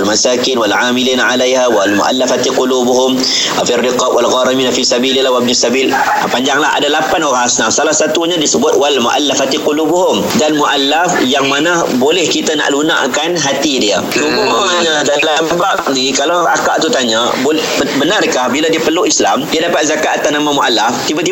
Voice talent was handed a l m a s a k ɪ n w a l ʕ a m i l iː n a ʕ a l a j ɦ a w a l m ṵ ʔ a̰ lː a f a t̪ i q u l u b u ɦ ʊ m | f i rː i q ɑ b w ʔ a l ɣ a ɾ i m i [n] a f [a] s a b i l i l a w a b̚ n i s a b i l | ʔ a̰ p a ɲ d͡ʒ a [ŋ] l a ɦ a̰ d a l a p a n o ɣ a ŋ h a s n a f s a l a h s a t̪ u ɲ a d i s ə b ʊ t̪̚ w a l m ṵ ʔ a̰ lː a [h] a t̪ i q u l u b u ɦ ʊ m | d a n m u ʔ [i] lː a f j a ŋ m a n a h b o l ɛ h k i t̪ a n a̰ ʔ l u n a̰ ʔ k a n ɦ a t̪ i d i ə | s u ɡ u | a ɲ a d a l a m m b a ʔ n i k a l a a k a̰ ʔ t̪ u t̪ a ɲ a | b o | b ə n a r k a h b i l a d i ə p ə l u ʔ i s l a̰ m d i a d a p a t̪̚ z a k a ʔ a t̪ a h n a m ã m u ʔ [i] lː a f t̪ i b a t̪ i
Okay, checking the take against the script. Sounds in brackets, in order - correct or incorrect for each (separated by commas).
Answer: correct, incorrect, correct, incorrect, incorrect, incorrect